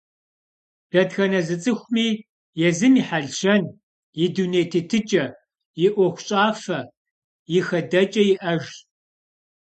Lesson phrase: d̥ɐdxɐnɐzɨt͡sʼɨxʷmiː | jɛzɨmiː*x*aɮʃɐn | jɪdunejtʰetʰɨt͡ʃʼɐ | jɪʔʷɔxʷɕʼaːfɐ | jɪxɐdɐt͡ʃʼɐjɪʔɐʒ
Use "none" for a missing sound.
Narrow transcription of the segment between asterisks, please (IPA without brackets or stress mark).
ħ